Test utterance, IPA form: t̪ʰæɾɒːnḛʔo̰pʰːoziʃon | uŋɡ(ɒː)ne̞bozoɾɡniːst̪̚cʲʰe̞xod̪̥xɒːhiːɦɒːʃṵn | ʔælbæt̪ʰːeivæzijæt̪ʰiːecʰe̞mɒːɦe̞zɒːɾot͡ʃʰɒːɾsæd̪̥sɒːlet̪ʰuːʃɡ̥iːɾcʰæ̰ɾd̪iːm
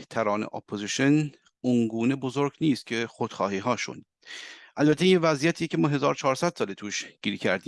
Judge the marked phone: incorrect: uː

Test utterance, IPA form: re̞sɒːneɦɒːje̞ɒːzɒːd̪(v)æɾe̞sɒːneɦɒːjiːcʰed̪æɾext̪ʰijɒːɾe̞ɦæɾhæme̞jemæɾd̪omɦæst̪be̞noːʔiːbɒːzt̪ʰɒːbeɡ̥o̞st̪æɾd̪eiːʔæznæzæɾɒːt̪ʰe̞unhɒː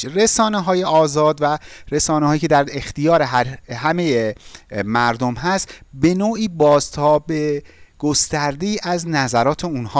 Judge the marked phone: correct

